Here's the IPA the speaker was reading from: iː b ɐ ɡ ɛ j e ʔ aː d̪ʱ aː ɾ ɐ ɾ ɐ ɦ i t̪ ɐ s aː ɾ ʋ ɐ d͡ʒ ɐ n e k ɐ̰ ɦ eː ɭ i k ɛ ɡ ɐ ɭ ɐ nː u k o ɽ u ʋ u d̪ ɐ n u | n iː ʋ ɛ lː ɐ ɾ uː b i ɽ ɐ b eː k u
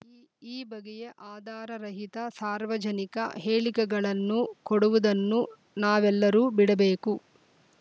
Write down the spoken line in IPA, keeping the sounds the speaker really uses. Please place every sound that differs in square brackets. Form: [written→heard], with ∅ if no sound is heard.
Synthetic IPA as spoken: iː b ɐ ɡ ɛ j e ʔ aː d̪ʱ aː ɾ ɐ ɾ ɐ ɦ i t̪ ɐ s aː ɾ ʋ ɐ d͡ʒ ɐ n [e→i] k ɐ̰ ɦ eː ɭ i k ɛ ɡ ɐ ɭ ɐ nː u k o ɽ u ʋ u d̪ ɐ [n→nː] u | n [iː→aː] ʋ ɛ lː ɐ ɾ uː b i ɽ ɐ b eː k u